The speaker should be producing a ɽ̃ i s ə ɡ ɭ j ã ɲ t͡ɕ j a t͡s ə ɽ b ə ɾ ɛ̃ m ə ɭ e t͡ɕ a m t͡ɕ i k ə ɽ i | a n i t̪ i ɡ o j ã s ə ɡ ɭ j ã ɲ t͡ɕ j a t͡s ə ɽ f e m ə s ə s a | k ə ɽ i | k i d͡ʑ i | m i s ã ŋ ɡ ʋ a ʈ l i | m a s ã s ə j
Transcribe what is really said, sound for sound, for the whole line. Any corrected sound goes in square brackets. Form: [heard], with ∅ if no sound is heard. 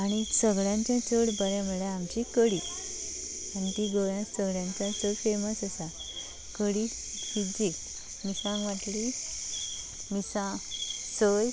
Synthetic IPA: a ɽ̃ i s ə ɡ ɭ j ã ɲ t͡ɕ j a t͡s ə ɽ b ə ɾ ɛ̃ m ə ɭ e [∅] a m t͡ɕ i k ə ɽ i | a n i t̪ i ɡ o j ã s ə ɡ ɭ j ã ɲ t͡ɕ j a t͡s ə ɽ f e m ə s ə s a | k ə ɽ i | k i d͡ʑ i | m i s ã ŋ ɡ ʋ a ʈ l i | m [i] s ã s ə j